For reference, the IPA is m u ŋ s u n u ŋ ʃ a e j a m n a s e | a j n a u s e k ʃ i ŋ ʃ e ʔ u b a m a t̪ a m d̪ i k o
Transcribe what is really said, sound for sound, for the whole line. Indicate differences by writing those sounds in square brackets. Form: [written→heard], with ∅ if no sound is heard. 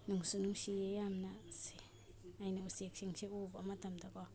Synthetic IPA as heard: [m→n] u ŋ s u n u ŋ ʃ [a→i] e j a m n a s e | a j n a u s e k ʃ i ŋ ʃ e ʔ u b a m a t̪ a m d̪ [i→a] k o